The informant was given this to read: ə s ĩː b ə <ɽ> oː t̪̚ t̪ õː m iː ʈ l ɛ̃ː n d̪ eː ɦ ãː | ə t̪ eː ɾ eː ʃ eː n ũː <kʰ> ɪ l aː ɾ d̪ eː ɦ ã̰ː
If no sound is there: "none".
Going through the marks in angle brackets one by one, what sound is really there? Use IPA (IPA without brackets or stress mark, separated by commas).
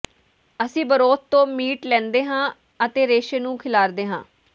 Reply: ɾ, kʰ